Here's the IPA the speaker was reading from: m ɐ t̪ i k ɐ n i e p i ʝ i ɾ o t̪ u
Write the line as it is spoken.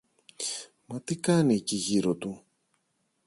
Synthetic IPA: m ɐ t̪ i k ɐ n i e c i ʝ i ɾ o t̪ u